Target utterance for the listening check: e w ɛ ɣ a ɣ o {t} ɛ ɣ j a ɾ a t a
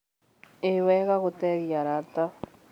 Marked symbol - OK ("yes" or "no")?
yes